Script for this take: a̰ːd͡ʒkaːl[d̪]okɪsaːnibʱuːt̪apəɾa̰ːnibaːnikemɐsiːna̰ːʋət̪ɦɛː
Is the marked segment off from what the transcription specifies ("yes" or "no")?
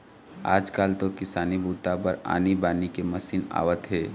yes